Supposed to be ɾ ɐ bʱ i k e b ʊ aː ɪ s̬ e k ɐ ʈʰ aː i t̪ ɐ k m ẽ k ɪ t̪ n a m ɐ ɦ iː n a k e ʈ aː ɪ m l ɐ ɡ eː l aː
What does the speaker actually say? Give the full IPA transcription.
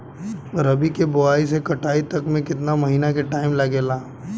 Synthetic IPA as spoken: ɾ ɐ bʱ i k e b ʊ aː i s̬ e k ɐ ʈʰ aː i t̪ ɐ k m ẽ k ɪ t̪ n a m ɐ ɦ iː n a k e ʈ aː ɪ m l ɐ ɡ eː l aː